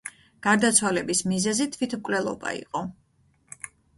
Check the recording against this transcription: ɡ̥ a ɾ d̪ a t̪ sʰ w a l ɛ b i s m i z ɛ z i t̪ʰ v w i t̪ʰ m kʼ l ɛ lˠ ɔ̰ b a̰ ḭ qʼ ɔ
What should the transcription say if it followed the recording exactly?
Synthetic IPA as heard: ɡ̥ a ɾ d̪ a t̪ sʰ w a l ɛ b i s m i z ɛ z i t̪ʰ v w i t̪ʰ m kʼ l ɛ lˠ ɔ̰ b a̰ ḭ qʼ ɔ